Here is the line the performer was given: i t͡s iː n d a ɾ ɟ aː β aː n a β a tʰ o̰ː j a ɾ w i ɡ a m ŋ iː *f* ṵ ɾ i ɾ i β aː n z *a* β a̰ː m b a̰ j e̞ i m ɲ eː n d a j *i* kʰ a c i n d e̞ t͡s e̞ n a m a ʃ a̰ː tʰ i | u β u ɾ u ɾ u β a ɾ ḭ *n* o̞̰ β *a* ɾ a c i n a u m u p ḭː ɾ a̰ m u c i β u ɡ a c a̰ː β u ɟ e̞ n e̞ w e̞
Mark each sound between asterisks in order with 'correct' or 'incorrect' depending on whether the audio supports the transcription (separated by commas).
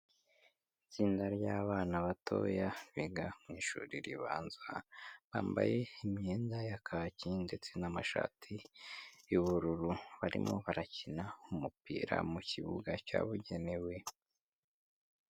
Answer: incorrect, correct, incorrect, incorrect, correct